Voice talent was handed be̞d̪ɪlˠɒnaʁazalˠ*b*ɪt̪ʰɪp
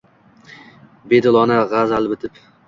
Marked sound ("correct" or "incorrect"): correct